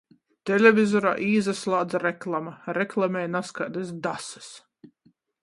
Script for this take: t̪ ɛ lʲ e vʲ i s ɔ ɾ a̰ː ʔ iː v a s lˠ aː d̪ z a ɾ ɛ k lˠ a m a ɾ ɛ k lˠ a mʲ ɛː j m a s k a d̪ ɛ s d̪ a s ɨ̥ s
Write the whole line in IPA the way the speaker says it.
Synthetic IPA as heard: t̪ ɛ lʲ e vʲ i z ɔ ɾ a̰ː ʔ iː z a s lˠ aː d̪ z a ɾ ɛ k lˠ a m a ɾ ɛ k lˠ a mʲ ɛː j n a s k a d̪ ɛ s d̪ a s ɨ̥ s